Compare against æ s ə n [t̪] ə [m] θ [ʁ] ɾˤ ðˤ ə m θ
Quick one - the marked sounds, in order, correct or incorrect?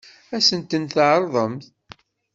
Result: correct, incorrect: n, incorrect: ʕ

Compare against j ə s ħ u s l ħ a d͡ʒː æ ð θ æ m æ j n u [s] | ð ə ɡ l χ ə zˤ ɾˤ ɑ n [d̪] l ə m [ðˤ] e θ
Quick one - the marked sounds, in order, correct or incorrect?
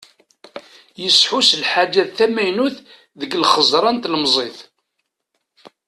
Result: incorrect: θ, incorrect: t̪, incorrect: zˤ

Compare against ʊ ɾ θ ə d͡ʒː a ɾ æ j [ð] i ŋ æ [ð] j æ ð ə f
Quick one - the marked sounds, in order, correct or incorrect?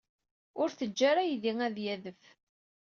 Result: correct, correct

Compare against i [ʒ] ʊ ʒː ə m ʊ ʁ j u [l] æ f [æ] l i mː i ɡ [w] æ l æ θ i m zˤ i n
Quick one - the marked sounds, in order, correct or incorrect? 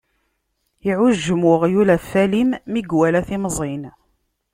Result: incorrect: ʕ, correct, correct, correct

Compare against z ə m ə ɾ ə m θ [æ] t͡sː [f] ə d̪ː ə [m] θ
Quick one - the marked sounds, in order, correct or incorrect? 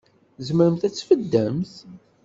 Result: correct, correct, correct

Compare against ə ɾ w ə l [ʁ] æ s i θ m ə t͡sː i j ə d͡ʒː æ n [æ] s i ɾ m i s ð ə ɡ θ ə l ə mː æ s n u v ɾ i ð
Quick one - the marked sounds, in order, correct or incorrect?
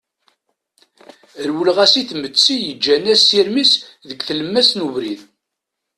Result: correct, correct

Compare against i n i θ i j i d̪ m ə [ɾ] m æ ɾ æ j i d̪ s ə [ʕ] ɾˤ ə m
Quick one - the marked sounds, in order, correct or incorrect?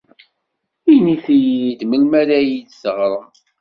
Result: incorrect: l, incorrect: ʁ

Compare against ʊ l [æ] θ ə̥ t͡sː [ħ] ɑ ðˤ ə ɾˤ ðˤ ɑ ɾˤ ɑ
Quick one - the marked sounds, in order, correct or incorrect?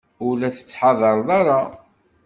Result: correct, correct

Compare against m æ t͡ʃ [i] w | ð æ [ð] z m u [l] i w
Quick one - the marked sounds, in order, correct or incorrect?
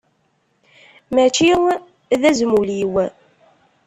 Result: correct, incorrect: none, correct

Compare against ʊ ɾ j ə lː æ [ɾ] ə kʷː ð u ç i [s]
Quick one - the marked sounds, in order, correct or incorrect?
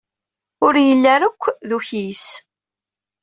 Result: correct, correct

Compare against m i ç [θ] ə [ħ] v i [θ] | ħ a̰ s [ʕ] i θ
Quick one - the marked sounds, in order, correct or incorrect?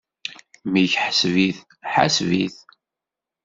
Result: incorrect: ħ, incorrect: s, correct, incorrect: v

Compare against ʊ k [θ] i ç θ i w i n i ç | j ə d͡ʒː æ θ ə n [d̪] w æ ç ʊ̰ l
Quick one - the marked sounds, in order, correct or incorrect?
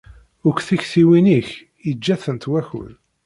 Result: correct, incorrect: t̪

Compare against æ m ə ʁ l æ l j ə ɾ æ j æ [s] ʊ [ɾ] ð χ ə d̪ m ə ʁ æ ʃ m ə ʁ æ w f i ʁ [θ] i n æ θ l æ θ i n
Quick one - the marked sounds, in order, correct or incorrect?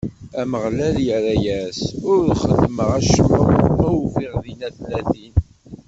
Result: correct, correct, incorrect: ð

